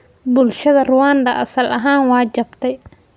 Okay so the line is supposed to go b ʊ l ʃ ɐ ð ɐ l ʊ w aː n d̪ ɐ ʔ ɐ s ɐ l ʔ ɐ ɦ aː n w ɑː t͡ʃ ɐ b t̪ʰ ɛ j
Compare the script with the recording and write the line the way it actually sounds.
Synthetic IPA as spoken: b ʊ l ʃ ɐ ð ɐ r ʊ w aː n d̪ ɐ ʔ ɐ s ɐ l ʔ ɐ ɦ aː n w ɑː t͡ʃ ɐ b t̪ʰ ɛ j